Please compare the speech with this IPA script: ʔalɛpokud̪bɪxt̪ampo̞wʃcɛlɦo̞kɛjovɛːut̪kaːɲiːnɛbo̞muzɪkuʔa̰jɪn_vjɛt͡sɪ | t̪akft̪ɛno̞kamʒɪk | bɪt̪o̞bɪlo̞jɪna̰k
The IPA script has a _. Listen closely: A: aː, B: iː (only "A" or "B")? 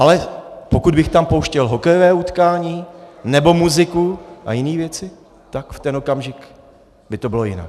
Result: B